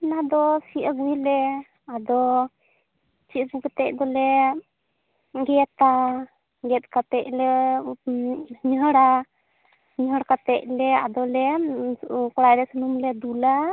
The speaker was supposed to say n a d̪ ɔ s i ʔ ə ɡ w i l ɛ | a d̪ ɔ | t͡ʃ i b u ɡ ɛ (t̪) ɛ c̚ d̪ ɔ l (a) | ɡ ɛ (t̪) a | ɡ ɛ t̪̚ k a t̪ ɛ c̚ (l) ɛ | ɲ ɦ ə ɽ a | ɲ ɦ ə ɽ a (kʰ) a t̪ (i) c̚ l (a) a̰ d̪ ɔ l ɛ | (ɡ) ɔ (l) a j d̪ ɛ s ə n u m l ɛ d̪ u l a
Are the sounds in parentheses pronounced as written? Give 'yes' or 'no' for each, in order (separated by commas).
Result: yes, no, yes, yes, no, no, no, no, no